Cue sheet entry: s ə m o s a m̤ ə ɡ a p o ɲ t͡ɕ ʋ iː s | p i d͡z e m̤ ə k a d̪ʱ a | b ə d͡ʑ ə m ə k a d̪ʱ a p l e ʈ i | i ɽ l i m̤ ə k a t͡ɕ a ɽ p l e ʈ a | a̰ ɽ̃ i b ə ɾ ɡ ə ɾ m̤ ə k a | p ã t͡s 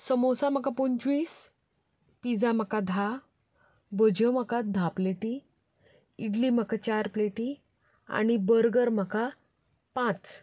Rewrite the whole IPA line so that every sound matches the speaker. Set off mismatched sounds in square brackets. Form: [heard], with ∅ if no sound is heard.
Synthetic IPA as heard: s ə m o s a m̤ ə [k] a p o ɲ t͡ɕ ʋ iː s | p i d͡z [a] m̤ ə k a d̪ʱ a | b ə d͡ʑ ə m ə k a d̪ʱ a p l e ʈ i | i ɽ l i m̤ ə k a t͡ɕ a [ɾ] p l e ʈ [i] | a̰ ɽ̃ i b ə ɾ ɡ ə ɾ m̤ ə k a | p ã t͡s

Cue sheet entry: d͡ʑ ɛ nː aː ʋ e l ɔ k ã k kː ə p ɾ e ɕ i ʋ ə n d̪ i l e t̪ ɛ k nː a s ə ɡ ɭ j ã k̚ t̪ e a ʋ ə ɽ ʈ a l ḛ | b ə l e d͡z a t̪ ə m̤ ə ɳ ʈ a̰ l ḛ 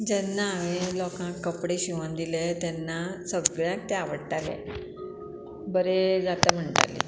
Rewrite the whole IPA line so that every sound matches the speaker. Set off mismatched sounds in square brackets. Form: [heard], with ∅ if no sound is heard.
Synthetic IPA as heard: d͡ʑ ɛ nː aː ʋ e l ɔ k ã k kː ə p [ɽ] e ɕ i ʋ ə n d̪ i l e t̪ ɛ [∅] nː a s ə ɡ ɭ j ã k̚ t̪ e a ʋ ə ɽ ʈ a l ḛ | b ə [ɾ] e d͡z a t̪ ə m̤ ə ɳ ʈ a̰ l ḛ

